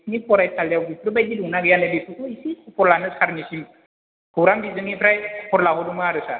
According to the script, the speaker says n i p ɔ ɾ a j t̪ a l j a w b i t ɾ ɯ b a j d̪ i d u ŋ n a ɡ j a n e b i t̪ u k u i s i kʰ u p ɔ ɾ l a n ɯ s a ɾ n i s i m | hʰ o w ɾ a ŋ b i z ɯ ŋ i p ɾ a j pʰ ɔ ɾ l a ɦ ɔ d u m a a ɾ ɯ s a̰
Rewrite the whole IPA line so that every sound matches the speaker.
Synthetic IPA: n i p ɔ ɾ a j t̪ a l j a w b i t ɾ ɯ b a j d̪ i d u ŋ n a ɡ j a n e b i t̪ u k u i s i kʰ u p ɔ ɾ l a n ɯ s a ɾ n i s i m | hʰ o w ɾ a m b i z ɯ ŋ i p ɾ a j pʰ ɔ ɾ l a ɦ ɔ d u m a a ɾ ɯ s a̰